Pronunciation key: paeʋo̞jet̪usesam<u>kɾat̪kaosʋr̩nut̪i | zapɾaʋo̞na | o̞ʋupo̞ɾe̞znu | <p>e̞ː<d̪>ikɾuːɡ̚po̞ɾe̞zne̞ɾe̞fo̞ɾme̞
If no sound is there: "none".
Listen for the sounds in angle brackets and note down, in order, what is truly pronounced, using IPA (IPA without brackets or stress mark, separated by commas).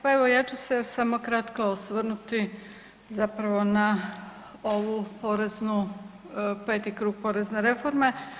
o, p, t̪